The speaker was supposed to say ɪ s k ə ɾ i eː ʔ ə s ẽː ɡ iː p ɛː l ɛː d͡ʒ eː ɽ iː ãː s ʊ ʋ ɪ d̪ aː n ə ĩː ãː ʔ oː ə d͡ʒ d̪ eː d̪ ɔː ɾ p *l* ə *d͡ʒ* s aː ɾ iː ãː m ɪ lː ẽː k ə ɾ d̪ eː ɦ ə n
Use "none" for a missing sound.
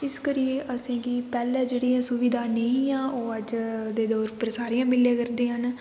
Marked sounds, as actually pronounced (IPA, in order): ɾ, none

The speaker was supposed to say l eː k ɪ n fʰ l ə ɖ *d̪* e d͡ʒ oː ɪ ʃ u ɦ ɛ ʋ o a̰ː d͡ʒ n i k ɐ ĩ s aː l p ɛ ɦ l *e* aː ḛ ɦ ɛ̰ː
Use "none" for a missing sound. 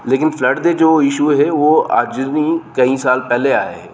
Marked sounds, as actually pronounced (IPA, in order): d̪, e

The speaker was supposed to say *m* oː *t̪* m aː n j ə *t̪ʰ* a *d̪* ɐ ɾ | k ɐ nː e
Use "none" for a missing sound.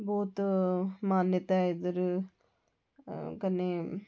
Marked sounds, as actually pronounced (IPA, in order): b, t̪, t̪, d̪

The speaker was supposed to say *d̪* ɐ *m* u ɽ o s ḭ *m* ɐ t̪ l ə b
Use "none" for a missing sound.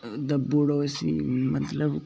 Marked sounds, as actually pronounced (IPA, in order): d̪, b, m

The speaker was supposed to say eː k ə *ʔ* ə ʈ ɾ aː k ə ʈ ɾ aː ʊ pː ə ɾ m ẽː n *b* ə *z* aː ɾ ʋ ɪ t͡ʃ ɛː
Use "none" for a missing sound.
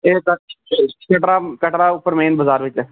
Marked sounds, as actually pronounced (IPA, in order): k, b, z

